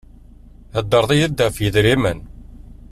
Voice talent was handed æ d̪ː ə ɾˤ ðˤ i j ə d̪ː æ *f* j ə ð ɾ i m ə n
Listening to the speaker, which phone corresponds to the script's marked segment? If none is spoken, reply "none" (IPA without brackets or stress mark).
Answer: f